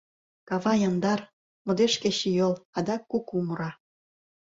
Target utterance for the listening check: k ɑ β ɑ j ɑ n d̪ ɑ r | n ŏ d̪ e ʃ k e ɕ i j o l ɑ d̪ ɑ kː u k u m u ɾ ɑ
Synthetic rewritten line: k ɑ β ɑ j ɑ n d̪ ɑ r | m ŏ d̪ e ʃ k e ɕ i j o l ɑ d̪ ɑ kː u k u m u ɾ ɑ